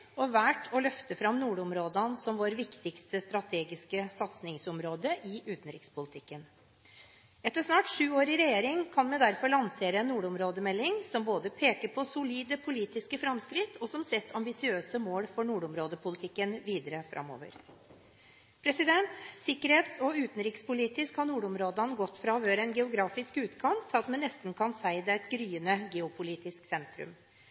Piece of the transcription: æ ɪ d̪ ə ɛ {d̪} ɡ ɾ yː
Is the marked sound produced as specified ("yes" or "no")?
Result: no